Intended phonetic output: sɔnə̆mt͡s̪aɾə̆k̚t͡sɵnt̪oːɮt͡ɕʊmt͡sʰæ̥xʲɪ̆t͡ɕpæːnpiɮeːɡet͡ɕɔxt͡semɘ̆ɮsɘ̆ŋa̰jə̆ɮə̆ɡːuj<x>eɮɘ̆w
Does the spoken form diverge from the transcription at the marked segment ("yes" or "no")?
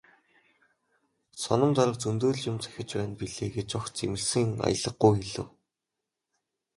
no